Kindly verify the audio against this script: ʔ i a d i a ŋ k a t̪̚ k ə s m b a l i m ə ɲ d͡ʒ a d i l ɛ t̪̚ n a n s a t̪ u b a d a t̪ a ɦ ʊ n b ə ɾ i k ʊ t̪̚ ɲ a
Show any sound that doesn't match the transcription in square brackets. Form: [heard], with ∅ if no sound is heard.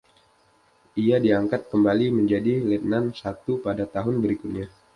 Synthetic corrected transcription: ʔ i a d i a ŋ k a t̪̚ k ə [∅] m b a l i m ə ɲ d͡ʒ a d i l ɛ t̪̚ n a n s a t̪ u [p] a d a t̪ a ɦ ʊ n b ə ɾ i k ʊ t̪̚ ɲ a